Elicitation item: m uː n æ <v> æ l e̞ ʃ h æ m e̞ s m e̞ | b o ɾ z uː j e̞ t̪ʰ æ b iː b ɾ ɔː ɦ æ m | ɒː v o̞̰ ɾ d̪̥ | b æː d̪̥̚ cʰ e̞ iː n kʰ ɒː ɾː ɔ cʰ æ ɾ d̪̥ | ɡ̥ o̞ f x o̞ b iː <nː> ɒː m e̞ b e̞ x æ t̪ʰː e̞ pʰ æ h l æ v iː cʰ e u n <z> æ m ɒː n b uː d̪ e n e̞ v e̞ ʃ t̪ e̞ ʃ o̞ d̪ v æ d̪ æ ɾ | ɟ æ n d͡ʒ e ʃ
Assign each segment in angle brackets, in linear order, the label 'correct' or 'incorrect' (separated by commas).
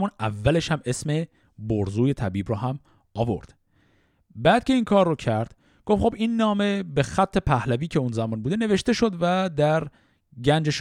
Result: incorrect, correct, correct